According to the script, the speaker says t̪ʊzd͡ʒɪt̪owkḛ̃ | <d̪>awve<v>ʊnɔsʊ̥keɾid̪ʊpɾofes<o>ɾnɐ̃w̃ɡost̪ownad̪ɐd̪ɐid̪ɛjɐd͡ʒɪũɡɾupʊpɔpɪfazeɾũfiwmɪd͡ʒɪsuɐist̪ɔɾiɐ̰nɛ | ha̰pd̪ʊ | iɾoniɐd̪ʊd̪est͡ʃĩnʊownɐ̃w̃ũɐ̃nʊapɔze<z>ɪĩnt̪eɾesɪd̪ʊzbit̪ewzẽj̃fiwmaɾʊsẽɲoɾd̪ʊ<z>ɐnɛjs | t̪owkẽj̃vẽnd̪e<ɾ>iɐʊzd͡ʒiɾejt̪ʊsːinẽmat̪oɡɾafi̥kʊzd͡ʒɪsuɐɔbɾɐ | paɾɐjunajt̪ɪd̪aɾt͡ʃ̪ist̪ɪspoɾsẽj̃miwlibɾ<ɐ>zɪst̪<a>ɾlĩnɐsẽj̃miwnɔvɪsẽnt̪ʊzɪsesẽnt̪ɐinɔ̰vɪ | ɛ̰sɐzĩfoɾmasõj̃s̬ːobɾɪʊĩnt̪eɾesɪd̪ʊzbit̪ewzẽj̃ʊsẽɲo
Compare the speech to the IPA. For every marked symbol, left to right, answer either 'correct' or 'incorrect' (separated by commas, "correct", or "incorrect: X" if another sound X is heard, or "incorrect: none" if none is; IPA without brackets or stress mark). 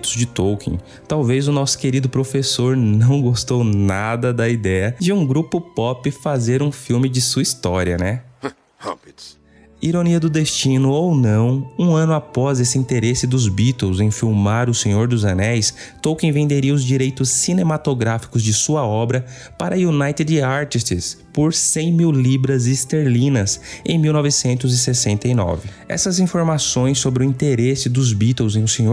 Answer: incorrect: t̪, incorrect: z, correct, incorrect: s, correct, correct, correct, incorrect: e